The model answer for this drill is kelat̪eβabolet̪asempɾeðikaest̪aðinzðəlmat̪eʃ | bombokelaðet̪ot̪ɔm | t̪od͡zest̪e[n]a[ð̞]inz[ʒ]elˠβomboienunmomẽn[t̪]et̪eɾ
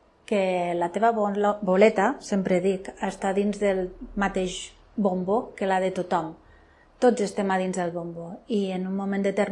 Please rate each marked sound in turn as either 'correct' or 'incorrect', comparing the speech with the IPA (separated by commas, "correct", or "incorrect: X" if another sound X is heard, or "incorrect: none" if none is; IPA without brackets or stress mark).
incorrect: m, correct, incorrect: ð, incorrect: d̪